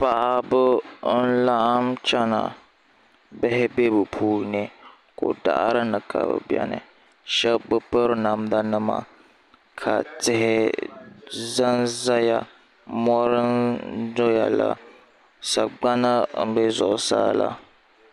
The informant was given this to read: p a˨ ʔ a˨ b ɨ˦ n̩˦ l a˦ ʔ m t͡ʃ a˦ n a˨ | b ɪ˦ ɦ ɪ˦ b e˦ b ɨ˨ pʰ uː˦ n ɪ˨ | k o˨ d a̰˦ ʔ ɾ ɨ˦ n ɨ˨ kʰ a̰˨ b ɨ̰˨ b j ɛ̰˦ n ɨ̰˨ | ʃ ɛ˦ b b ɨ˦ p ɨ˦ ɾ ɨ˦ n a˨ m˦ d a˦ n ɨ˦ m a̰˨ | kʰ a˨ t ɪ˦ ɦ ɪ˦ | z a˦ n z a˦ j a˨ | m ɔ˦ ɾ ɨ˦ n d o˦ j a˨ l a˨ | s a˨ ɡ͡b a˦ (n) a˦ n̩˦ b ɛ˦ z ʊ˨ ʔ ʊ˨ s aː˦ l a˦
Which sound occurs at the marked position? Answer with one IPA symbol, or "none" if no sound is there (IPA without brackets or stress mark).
n